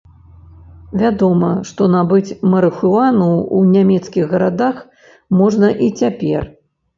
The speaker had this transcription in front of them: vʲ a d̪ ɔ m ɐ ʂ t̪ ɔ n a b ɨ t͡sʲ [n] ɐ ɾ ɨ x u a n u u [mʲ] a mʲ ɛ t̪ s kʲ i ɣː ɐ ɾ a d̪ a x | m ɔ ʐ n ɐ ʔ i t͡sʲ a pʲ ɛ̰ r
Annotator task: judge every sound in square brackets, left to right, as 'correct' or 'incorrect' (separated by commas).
incorrect, incorrect